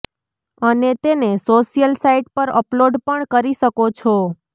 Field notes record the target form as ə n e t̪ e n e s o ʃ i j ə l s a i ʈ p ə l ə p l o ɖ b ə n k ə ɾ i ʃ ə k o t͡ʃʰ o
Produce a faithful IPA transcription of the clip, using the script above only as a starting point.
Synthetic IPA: ə n e t̪ e n e s o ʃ i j ə l s a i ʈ p ə ɾ ə p l o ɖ p ə ɳ k ə ɾ i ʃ ə k o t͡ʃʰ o